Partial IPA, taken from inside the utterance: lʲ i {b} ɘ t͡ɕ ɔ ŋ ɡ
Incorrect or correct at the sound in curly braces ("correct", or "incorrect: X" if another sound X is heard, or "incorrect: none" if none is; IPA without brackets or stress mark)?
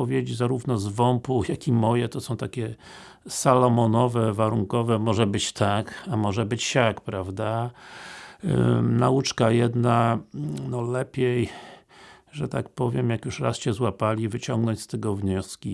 incorrect: v